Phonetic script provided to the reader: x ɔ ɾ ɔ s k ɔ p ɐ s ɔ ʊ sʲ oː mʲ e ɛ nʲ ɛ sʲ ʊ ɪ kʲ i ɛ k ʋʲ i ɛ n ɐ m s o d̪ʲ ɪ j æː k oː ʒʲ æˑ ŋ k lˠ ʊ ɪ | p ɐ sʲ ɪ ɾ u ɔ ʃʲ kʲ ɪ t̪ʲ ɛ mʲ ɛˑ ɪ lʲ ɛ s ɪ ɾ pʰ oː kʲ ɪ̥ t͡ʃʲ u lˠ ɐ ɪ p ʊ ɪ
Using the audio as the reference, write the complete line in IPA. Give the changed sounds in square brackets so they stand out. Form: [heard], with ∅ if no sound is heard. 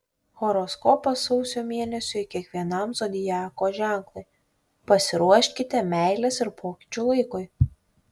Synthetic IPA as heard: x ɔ ɾ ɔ s k ɔ p ɐ s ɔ ʊ sʲ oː mʲ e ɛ nʲ ɛ sʲ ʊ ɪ kʲ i ɛ k ʋʲ i ɛ n ɐ m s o d̪ʲ ɪ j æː k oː ʒʲ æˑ ŋ k lˠ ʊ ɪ | p ɐ sʲ ɪ ɾ u ɔ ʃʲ kʲ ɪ t̪ʲ ɛ mʲ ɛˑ ɪ lʲ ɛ s ɪ ɾ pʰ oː kʲ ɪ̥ t͡ʃʲ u lˠ ɐ ɪ [k] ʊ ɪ